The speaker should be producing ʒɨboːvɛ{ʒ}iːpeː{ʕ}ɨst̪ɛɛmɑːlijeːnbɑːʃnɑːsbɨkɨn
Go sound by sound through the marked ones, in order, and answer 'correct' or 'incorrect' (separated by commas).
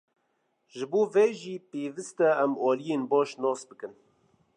correct, incorrect